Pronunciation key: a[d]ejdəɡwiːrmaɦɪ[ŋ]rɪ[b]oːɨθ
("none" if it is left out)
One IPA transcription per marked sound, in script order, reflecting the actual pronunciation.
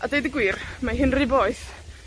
d, n, b

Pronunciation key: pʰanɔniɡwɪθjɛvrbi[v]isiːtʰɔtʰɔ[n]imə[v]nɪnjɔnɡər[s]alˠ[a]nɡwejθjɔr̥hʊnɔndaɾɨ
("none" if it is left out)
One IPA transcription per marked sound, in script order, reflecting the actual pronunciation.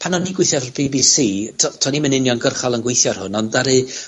b, n, none, χ, ə

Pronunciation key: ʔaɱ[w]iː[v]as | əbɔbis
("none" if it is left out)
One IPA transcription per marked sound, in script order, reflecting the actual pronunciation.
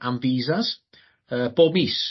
v, z

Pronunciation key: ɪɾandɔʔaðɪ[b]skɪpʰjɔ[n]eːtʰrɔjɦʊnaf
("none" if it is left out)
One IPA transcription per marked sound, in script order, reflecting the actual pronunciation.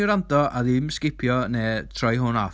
m, n

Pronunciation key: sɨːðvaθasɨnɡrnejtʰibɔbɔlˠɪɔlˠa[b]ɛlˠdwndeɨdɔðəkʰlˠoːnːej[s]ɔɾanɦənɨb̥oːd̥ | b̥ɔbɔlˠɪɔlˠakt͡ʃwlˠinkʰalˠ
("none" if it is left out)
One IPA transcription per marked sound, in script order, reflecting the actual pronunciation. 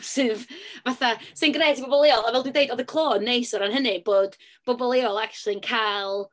v, s

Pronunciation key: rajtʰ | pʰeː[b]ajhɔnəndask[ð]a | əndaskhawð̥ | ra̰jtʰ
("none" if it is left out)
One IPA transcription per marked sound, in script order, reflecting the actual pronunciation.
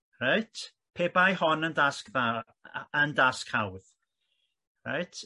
b, ð

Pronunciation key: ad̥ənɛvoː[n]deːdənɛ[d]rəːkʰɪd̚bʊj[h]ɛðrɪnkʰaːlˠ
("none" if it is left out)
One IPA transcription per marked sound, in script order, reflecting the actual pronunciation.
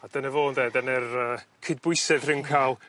n, none, s

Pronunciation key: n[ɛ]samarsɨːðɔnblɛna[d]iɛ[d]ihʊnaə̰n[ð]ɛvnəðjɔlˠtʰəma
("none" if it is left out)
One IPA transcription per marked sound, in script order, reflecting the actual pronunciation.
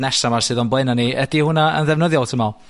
ɛ, n, d, ð

